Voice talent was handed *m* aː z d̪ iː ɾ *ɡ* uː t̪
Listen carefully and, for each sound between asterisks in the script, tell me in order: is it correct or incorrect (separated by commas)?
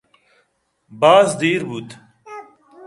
incorrect, incorrect